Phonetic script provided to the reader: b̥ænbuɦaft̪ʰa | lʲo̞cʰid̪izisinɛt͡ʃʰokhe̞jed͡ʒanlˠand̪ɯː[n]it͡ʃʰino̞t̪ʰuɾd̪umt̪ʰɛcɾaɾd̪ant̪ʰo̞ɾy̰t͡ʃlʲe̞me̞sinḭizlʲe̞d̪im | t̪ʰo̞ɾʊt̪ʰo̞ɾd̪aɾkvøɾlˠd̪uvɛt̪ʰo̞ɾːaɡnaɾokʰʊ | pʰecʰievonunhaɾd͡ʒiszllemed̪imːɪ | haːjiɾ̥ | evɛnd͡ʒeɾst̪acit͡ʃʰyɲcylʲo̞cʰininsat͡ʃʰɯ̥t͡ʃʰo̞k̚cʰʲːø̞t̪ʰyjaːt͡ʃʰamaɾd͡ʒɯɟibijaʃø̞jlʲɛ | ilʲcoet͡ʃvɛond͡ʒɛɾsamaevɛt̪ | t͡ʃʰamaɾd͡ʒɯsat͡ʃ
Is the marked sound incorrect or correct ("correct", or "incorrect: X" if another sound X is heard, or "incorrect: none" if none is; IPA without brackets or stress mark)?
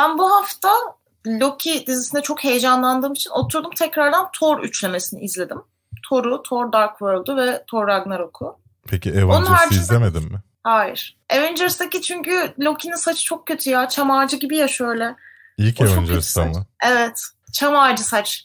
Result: incorrect: m